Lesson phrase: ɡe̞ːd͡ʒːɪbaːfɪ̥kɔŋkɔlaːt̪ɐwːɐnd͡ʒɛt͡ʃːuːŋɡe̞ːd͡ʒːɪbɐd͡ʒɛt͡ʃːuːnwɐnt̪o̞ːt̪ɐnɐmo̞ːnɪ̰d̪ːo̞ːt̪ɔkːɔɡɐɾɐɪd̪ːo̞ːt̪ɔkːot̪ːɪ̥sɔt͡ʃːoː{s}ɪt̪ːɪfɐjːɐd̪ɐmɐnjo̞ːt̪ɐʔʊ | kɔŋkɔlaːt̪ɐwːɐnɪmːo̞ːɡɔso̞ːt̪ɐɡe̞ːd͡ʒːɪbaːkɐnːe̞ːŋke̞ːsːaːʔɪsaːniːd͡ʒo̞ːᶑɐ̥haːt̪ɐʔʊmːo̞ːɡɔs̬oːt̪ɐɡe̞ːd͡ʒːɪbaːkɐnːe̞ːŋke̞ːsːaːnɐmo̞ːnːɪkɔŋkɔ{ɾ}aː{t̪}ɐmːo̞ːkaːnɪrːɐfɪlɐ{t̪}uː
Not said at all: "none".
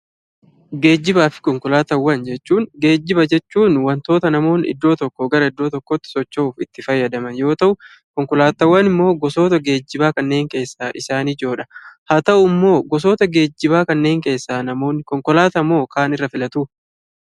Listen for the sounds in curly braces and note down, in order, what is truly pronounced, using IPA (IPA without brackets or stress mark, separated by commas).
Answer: f, l, t̪, t̪